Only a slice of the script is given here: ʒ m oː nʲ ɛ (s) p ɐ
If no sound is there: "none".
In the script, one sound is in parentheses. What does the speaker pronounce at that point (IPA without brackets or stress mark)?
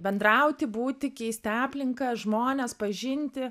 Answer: s